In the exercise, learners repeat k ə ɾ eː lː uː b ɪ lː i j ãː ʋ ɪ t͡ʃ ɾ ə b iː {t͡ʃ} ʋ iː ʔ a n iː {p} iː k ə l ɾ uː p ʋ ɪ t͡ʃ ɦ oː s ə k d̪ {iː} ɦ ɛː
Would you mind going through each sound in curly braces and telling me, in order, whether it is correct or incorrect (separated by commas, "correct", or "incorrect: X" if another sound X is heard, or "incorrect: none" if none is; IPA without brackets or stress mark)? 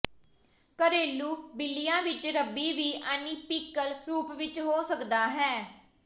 incorrect: none, correct, incorrect: aː